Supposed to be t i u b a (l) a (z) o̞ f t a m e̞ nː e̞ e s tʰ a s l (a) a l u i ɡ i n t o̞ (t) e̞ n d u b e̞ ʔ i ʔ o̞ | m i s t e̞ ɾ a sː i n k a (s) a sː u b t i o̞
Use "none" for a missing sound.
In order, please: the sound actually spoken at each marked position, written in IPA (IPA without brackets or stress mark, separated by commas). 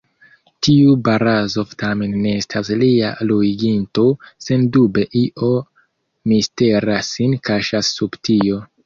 ɾ, z, i, s, ʃ